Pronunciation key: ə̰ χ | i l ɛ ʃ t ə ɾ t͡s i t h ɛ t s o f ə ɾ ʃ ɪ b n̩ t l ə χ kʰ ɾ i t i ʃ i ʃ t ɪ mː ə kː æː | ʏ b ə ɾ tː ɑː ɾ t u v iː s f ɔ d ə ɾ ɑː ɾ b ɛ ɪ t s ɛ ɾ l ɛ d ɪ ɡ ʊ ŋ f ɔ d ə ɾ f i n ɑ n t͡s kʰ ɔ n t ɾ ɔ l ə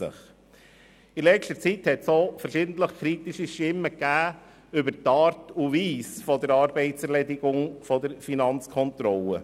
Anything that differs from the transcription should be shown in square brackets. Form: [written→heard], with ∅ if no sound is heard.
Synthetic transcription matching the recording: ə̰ χ | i l ɛ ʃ t ə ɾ t͡s i t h ɛ t s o f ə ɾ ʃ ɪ [b→d] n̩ t l ə χ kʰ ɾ i t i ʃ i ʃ t ɪ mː ə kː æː | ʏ b ə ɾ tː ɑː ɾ t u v iː s f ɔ d ə ɾ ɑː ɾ b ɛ ɪ t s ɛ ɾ l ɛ d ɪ ɡ ʊ ŋ f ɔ d ə ɾ f i n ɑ n t͡s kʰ ɔ n t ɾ ɔ l ə